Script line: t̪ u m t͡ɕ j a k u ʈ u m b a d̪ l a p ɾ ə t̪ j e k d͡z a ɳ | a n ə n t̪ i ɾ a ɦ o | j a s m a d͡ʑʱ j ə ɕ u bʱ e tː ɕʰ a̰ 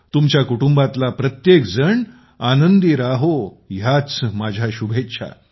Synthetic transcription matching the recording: t̪ u m t͡ɕ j a k u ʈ u m b a t̪ l a p ɾ ə t̪ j e k d͡z ə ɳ | a n ə n d̪ i ɾ a ɦ o | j a t͡s m a d͡ʑʱ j a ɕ u bʱ e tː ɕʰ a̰